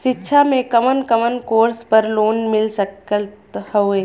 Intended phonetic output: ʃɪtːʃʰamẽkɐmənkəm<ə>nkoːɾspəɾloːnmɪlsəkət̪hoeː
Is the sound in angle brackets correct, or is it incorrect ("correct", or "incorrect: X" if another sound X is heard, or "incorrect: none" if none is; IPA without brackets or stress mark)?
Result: correct